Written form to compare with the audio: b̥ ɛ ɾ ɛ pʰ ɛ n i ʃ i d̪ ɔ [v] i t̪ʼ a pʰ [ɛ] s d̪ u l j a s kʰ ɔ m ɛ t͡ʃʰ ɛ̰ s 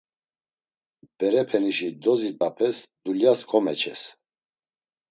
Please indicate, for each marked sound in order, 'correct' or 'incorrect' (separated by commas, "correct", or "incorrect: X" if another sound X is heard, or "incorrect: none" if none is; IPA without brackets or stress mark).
incorrect: z, correct